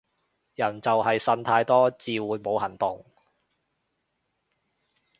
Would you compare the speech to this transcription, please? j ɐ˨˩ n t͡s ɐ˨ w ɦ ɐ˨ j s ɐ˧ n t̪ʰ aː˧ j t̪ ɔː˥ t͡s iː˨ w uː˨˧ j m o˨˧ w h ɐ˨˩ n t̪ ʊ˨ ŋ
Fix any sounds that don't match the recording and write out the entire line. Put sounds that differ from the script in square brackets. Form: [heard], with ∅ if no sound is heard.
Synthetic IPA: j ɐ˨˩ n t͡s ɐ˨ w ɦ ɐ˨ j s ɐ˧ n t̪ʰ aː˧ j t̪ ɔː˥ t͡s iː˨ w uː˨˧ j m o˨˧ w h ɐ˨˩ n t̪ ʊ˨ ŋ